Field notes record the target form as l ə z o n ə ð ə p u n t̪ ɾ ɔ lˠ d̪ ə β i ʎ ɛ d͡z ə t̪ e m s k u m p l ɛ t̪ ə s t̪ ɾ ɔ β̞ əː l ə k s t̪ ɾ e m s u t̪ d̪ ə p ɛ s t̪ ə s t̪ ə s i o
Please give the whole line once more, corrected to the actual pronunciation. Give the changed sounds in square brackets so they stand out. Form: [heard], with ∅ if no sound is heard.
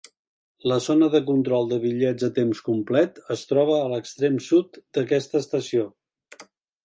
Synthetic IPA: l ə z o n ə ð ə [k] u n t̪ ɾ ɔ lˠ d̪ ə β i ʎ ɛ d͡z ə t̪ e m s k u m p l ɛ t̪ ə s t̪ ɾ ɔ β̞ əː l ə k s t̪ ɾ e m s u t̪ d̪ ə [k] ɛ s t̪ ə s t̪ ə s i o